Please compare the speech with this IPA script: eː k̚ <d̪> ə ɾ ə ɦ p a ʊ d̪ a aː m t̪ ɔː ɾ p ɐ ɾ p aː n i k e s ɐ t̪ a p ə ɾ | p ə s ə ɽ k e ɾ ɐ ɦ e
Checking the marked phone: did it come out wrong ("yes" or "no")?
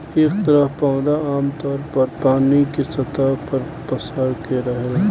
yes